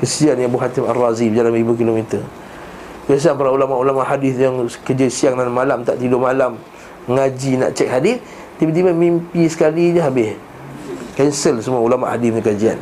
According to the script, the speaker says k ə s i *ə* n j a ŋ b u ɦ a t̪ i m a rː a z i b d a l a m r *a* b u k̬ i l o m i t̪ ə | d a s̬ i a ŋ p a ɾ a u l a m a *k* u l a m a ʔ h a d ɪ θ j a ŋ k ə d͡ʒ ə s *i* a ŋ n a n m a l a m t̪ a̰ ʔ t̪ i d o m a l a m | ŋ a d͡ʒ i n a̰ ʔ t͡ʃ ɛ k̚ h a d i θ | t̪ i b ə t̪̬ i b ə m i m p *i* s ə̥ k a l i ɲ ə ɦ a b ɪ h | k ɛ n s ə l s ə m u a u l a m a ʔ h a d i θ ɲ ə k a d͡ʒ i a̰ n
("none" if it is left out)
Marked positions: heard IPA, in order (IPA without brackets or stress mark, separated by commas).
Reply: a, i, ʔ, i, i